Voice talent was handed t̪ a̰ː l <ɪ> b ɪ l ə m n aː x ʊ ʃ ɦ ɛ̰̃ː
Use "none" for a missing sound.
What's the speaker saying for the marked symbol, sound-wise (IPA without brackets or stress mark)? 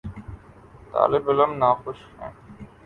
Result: ɪ